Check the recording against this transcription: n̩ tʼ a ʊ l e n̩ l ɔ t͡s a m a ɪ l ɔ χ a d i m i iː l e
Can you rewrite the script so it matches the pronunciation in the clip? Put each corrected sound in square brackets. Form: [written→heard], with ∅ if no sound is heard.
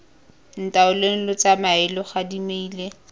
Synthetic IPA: n̩ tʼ a ʊ l e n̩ l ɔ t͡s a m a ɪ l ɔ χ a d i m [i→e] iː l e